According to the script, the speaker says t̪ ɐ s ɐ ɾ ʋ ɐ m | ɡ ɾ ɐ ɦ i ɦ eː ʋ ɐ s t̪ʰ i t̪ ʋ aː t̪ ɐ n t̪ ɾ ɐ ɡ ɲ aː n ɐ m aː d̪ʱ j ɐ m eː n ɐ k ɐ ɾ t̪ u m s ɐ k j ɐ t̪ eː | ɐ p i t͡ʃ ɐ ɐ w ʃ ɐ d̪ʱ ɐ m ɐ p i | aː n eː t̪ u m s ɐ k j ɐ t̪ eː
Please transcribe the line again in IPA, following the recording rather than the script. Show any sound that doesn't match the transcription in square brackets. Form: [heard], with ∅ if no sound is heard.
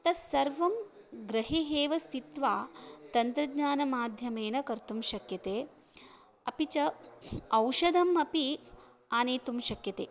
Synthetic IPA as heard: t̪ ɐ s ɐ ɾ ʋ ɐ m | ɡ ɾ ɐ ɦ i ɦ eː ʋ ɐ s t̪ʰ i t̪ ʋ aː t̪ ɐ n t̪ ɾ ɐ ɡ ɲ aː n ɐ m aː d̪ʱ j ɐ m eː n ɐ k ɐ ɾ t̪ u m [ʃ] ɐ k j ɐ t̪ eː | ɐ p i t͡ʃ ɐ ɐ w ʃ ɐ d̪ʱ ɐ m ɐ p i | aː n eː t̪ u m [ʃ] ɐ k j ɐ t̪ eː